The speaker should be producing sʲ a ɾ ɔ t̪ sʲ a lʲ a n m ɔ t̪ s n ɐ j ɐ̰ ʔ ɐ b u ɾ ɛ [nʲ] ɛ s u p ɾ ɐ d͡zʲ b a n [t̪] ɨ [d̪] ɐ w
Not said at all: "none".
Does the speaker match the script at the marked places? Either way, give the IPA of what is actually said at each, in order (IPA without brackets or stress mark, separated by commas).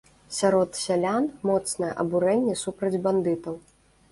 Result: nʲː, d̪, t̪